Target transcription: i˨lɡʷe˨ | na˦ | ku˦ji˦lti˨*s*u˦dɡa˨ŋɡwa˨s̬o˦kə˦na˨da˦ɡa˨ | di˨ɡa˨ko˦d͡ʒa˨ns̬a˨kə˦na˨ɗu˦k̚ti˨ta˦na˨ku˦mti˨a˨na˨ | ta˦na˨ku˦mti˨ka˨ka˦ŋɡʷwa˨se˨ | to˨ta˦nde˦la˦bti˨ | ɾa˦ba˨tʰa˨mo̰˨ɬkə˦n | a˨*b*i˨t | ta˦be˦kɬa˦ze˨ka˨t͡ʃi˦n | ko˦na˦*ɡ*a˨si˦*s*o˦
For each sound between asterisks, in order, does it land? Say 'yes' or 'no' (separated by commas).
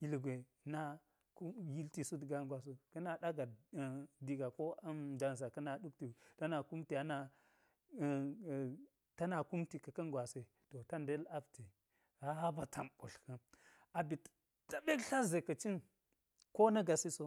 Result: yes, yes, yes, yes